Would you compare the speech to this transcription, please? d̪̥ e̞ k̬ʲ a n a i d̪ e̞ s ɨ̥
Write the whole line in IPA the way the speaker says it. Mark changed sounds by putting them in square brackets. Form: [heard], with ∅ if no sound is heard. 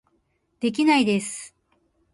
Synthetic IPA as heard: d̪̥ e̞ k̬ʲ [i] n a i d̪ e̞ s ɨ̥